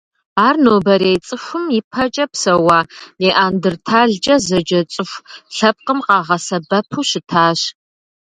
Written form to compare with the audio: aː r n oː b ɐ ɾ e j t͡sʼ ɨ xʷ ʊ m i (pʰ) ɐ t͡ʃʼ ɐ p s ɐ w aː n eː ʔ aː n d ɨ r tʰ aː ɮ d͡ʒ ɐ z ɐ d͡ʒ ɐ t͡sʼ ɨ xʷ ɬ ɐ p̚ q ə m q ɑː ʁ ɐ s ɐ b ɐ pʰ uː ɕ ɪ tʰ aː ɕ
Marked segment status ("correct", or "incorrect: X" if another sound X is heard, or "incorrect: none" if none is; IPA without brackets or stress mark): correct